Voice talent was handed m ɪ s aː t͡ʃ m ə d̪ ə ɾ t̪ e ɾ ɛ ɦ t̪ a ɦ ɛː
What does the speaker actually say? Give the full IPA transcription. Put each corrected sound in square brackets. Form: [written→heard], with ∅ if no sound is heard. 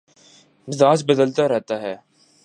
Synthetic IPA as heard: m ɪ [s→z] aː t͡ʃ [m→b] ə d̪ ə [ɾ→l] t̪ [e→a] ɾ ɛ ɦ t̪ a ɦ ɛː